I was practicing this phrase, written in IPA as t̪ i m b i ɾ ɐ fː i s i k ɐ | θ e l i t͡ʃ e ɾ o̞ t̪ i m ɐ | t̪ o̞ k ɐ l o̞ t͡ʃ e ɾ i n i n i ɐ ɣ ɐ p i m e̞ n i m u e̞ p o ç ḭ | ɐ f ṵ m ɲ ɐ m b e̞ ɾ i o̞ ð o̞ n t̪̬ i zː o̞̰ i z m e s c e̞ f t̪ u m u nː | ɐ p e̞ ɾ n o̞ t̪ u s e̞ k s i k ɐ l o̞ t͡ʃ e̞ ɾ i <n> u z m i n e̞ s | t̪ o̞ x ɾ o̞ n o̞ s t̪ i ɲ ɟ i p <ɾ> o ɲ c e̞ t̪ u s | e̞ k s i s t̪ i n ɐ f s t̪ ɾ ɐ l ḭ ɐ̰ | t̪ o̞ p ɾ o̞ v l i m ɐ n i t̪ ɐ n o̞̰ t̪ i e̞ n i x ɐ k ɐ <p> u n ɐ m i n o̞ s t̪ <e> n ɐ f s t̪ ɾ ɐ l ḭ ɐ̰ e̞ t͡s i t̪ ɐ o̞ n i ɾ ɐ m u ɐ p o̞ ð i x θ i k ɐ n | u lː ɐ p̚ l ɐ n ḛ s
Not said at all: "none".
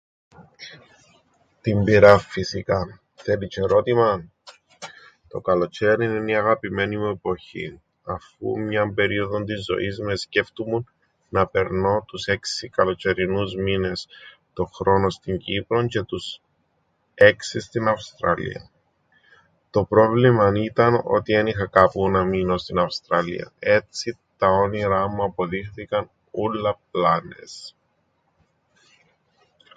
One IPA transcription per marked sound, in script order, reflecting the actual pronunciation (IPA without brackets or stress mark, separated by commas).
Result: n, ɾ, p, i